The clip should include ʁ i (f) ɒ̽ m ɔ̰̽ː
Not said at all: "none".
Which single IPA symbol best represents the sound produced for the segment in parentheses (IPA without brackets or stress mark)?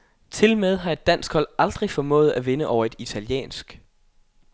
f